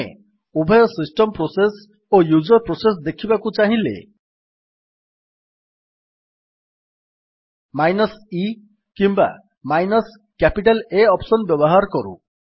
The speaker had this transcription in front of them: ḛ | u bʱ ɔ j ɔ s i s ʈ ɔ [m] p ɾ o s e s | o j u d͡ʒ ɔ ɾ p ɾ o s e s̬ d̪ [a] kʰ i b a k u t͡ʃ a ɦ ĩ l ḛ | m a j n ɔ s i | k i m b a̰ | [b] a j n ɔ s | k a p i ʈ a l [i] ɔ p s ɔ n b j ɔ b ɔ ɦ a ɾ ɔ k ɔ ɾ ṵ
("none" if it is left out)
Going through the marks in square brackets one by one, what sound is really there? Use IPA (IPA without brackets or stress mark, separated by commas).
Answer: m, e, m, e